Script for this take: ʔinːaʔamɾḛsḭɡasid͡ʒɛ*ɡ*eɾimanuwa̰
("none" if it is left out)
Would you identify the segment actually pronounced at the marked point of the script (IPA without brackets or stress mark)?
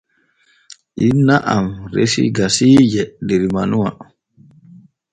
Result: d